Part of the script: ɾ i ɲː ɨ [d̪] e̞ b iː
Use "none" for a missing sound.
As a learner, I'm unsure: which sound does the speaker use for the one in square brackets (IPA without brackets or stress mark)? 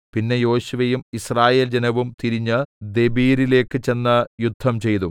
d̪